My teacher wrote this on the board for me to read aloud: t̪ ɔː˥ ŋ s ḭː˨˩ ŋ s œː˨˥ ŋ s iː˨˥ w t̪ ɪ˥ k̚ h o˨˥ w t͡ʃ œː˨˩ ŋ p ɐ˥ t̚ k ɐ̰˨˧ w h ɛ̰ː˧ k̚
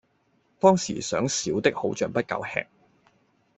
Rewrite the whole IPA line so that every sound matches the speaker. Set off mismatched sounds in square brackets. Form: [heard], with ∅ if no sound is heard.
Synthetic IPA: t̪ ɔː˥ ŋ s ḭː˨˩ [∅] s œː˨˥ ŋ s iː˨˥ w t̪ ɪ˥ k̚ h o˨˥ w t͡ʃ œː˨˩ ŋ p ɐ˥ t̚ k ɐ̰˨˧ w h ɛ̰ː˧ k̚